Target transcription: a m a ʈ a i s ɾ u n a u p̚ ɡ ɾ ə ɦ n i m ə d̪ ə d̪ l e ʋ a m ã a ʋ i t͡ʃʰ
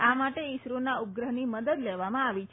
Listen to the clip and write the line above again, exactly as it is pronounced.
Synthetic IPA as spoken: a m a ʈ e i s ɾ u n a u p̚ ɡ ɾ ə ɦ n i m ə d̪ ə d̪ l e ʋ a m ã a ʋ i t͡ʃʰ